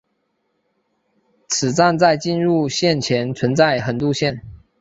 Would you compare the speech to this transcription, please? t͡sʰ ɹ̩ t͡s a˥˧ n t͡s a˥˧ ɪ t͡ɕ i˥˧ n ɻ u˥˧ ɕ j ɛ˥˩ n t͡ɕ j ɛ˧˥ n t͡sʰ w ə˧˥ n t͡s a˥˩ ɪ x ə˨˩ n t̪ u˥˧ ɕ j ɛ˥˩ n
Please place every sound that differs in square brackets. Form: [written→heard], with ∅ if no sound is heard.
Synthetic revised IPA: t͡sʰ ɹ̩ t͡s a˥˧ n t͡s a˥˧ ɪ t͡ɕ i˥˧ n ɻ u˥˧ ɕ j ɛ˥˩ n [t͡ɕ→t͡ɕʰ] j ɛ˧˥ n t͡sʰ w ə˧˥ n t͡s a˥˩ ɪ x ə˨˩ n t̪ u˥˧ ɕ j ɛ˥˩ n